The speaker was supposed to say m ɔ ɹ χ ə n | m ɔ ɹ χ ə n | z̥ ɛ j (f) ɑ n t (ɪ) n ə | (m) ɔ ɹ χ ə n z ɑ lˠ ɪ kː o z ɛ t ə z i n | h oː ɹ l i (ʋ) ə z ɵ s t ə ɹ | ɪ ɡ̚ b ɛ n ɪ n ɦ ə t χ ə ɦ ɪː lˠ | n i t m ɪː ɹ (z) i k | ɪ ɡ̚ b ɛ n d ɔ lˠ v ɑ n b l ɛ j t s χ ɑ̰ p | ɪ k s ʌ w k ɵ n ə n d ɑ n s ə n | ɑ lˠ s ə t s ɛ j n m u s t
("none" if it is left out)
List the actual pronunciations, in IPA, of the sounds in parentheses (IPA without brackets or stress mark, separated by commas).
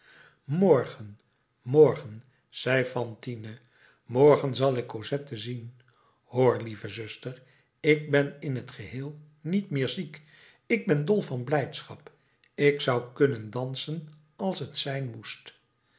f, i, m, v, z